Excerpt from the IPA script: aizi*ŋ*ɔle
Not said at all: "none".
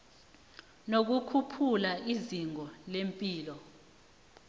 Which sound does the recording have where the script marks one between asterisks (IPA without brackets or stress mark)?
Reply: ŋ